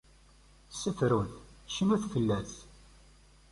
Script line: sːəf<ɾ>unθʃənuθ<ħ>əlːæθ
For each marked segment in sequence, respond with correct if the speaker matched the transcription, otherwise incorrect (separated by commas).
correct, incorrect